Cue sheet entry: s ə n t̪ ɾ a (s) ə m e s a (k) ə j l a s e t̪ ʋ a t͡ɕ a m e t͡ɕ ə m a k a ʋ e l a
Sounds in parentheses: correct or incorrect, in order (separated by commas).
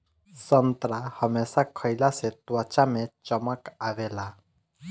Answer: incorrect, incorrect